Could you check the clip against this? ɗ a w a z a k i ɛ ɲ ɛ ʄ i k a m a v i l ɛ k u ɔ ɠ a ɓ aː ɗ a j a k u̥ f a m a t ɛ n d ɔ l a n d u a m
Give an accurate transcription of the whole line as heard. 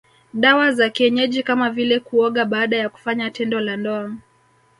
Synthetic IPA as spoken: ɗ a w a z a k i ɛ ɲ ɛ ʄ i k a m a v i l ɛ k u ɔ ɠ a ɓ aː ɗ a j a k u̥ f a ɲ a t ɛ n d ɔ l a n d ɔ a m

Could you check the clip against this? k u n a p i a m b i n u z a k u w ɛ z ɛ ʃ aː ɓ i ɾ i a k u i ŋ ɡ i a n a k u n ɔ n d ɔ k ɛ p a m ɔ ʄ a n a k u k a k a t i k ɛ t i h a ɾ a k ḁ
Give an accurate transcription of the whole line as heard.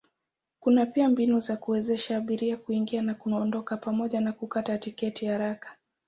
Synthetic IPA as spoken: k u n a p i a m b i n u z a k u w ɛ z ɛ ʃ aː ɓ i ɾ i a k u i ŋ ɡ i a n a k u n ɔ n d ɔ k a p a m ɔ ʄ a n a k u k a t a t i k ɛ t i h a ɾ a k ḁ

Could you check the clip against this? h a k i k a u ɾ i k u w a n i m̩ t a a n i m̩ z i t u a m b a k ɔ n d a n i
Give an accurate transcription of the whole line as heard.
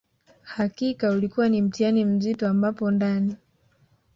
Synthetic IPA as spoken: h a k i k a u l i k u w a n i m̩ t i a n i m̩ z i t ɔ a m b a p ɔ n d a n i

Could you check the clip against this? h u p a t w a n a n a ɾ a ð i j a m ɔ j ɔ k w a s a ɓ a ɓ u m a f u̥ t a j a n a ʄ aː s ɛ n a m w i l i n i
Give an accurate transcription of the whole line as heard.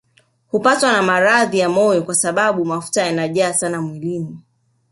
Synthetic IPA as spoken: h u p a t w a n a m a ɾ a ð i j a m ɔ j ɔ k w a s a ɓ a ɓ u m a f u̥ t a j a n a ʄ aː s a n a m w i l i n i

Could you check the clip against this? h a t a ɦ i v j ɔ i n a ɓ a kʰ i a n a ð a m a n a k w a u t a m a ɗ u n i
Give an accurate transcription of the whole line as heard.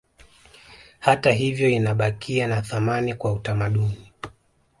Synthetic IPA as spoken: h a t a ɦ i v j ɔ i n a ɓ a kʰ i a n a θ a m a n i k w a u t a m a ɗ u n i

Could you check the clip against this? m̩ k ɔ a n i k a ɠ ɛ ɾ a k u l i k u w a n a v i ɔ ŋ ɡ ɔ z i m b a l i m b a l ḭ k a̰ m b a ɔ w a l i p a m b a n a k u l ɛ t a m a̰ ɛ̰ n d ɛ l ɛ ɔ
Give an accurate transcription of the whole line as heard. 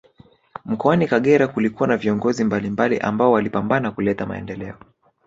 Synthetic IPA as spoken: m̩ k ɔ a n i k a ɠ ɛ ɾ a k u l i k u w a n a v i ɔ ŋ ɡ ɔ z i m b a l i m b a l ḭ ʔ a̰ m b a ɔ w a l i p a m b a n a k u l ɛ t a m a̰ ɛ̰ n d ɛ l ɛ ɔ

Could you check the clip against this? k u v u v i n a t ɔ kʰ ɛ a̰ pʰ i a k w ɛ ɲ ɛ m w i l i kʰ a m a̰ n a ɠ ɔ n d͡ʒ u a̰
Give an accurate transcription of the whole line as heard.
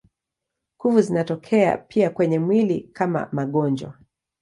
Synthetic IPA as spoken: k u v u z i n a t ɔ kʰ ɛ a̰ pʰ i a k w ɛ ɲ ɛ m w i l i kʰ a m a̰ m a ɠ ɔ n d͡ʒ w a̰

